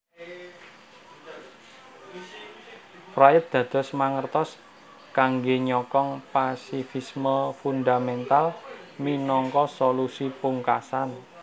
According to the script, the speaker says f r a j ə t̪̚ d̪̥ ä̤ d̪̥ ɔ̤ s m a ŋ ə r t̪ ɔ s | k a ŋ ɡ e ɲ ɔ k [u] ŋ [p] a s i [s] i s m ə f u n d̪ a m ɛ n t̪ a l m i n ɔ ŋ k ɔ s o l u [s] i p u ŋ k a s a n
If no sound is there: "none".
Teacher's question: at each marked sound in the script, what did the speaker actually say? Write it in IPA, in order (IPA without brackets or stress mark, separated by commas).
ɔ, p, f, s